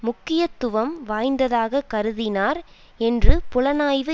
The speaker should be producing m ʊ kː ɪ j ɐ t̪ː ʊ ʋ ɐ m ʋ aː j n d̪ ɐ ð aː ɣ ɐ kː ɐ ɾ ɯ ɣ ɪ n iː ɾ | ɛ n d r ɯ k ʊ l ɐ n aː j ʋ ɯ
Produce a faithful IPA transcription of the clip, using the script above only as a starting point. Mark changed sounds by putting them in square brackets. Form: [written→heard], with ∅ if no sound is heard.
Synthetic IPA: m ʊ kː ɪ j ɐ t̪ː ʊ ʋ ɐ m ʋ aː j n d̪ ɐ ð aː ɣ ɐ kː ɐ ɾ ɯ [ɣ→ð] ɪ n [iː→aː] ɾ | ɛ n d r ɯ [k→p] ʊ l ɐ n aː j ʋ ɯ